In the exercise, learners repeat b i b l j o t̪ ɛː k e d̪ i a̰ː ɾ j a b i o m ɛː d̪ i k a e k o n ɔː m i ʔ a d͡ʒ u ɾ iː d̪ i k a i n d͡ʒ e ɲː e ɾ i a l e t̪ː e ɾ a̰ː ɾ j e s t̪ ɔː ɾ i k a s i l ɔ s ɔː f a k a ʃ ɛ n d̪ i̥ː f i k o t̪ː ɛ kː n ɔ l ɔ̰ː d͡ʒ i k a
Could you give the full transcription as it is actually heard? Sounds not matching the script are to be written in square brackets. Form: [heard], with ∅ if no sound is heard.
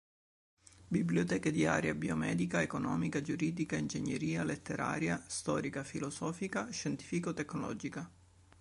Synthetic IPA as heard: b i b l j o t̪ ɛː k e d̪ i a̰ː ɾ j a b i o m ɛː d̪ i k a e k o n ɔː m i [k] a d͡ʒ u ɾ iː d̪ i k a i n d͡ʒ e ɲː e ɾ [iː] a l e t̪ː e ɾ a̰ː ɾ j [a] s t̪ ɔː ɾ i k a [f] i l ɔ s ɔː f [i] k a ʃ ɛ n [t̪] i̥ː f i k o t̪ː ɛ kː n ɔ l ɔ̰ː d͡ʒ i k a

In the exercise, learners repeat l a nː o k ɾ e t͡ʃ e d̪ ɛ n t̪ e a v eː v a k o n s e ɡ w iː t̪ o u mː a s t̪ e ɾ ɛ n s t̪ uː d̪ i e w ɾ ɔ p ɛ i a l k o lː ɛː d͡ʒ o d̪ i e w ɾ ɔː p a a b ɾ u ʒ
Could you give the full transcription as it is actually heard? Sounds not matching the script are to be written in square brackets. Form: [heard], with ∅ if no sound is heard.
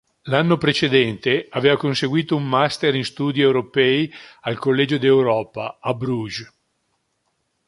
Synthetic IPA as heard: l a nː o [p] ɾ e t͡ʃ e d̪ ɛ n t̪ e a v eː v a k o n s e ɡ w iː t̪ o u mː a s t̪ e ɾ [i] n s t̪ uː d̪ i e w ɾ [o] p ɛ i a l k o lː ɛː d͡ʒ o d̪ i e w ɾ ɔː p a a b ɾ u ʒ

